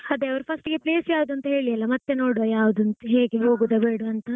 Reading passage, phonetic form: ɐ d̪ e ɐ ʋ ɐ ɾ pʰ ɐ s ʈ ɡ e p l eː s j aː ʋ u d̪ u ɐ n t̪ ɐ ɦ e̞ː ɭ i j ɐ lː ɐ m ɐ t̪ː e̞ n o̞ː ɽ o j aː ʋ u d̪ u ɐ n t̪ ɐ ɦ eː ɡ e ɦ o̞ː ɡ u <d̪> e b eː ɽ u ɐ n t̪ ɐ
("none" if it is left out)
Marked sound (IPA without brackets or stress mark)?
d̪